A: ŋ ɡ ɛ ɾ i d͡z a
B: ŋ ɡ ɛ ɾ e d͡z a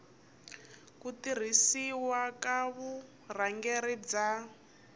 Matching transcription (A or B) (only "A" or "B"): A